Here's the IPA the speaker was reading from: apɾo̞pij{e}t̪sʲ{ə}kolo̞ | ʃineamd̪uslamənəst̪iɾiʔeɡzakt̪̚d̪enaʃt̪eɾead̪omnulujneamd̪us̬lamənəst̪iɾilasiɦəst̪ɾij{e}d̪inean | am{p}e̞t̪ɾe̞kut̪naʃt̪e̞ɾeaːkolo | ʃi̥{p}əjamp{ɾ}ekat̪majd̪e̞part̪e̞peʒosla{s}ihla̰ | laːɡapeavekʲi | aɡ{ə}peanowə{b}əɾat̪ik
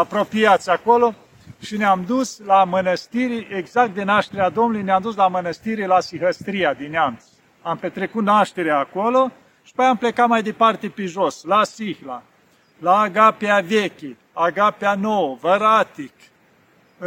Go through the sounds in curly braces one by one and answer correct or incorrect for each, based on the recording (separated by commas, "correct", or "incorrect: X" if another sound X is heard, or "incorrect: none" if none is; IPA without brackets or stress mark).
incorrect: a, incorrect: a, incorrect: a, correct, correct, incorrect: l, correct, incorrect: a, incorrect: v